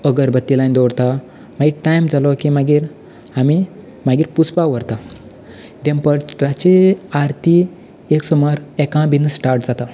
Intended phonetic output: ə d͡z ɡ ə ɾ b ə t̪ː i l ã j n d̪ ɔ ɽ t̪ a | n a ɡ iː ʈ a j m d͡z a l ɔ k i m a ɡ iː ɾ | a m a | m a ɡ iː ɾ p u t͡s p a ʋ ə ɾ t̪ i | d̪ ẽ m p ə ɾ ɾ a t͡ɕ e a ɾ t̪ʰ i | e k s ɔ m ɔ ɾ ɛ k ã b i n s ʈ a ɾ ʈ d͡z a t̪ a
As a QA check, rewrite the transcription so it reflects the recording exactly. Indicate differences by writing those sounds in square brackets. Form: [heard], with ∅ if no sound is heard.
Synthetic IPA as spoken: ə [∅] ɡ ə ɾ b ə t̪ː i l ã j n d̪ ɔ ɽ t̪ a | [m] a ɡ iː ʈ a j m d͡z a l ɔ k i m a ɡ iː ɾ | a m [i] | m a ɡ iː ɾ p u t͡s p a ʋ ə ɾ t̪ [a] | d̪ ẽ m p ə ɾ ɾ a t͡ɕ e a ɾ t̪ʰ i | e k s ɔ m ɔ ɾ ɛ k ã b i n s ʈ a ɾ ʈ d͡z a t̪ a